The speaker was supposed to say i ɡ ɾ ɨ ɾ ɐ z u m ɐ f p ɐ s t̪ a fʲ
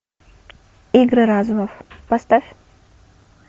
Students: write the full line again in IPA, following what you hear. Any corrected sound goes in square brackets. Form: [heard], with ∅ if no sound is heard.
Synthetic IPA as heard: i ɡ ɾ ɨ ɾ [a] z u m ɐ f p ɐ s t̪ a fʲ